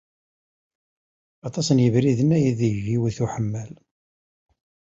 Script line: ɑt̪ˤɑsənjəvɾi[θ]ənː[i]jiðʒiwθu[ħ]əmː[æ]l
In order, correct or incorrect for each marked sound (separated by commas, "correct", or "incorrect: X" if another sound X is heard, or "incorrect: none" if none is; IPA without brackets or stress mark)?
incorrect: ð, incorrect: æ, correct, correct